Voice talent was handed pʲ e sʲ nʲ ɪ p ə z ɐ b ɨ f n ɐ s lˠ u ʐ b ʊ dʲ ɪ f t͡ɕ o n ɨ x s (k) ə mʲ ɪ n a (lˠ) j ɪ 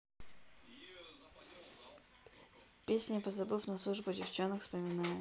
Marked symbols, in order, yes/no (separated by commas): no, no